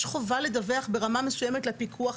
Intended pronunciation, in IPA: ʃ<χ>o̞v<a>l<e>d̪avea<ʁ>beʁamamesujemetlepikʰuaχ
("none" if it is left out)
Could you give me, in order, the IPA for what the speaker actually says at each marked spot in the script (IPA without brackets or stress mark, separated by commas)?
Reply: χ, a, e, χ